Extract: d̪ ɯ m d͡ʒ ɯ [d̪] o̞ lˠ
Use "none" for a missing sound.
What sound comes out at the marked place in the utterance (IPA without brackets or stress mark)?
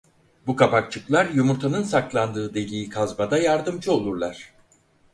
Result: none